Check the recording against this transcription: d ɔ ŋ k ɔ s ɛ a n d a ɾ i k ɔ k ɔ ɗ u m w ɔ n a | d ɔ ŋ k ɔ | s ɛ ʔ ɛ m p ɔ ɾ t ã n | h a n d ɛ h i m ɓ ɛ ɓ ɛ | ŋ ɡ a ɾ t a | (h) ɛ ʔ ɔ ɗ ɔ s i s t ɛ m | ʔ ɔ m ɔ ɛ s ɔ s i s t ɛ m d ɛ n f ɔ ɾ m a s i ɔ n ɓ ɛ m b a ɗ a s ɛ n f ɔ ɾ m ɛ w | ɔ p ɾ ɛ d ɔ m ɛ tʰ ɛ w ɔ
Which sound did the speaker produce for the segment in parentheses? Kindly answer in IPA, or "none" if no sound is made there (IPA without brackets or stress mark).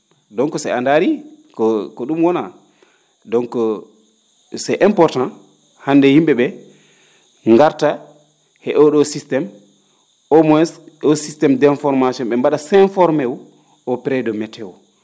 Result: h